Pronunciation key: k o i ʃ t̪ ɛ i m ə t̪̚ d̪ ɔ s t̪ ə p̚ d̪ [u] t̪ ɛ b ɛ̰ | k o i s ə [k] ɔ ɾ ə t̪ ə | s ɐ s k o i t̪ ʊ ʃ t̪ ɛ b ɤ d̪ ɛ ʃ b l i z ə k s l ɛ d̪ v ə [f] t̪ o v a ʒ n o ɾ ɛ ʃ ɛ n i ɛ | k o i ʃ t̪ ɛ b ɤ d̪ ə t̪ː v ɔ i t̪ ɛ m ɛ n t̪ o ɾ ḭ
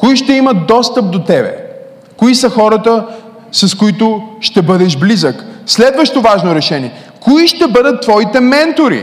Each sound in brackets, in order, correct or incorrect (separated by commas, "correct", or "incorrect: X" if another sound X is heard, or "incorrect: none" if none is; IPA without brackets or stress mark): incorrect: o, incorrect: x, incorrect: ʃ